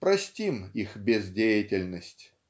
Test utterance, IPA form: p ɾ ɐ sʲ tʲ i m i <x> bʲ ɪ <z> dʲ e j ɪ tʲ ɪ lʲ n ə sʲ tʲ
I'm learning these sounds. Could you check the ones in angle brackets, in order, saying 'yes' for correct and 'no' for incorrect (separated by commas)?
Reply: yes, yes